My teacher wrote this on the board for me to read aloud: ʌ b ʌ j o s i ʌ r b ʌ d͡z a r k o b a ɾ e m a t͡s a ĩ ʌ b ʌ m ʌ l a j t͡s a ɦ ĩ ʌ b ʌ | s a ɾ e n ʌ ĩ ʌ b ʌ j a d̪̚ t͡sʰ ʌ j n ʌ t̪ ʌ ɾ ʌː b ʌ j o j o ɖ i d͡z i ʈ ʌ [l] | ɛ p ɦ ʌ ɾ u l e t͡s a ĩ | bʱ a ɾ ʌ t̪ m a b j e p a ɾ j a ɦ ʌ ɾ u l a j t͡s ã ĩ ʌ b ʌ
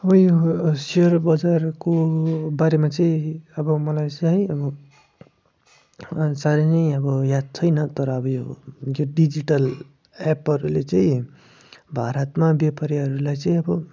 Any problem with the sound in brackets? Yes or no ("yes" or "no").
no